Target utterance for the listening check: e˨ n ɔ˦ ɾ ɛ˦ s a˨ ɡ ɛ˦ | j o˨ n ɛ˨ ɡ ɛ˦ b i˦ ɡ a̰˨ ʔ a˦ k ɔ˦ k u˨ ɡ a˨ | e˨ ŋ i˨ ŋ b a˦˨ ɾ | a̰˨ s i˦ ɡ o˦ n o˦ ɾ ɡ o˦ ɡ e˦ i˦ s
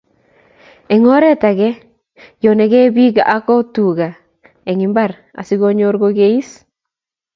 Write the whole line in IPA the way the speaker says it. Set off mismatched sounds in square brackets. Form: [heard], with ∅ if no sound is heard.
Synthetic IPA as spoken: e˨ [ŋ] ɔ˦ ɾ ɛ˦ [t] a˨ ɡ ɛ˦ | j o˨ n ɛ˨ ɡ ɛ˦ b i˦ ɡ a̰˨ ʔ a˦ k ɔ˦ [t] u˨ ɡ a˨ | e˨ ŋ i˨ [m] b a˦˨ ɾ | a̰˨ s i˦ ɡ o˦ [ɲ] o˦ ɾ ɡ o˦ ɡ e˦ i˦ s